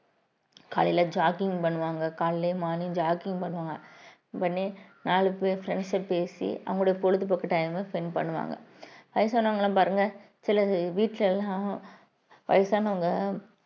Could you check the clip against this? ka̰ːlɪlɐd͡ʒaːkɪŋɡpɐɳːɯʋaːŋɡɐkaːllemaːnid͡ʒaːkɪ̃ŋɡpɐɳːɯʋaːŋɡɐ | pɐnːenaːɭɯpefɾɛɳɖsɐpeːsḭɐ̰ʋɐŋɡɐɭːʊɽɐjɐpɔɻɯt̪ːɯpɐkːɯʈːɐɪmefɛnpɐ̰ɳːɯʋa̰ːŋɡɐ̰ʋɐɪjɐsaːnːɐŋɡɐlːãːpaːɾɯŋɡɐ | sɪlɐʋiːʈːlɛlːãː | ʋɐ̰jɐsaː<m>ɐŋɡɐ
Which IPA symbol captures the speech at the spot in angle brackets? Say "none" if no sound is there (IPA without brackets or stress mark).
n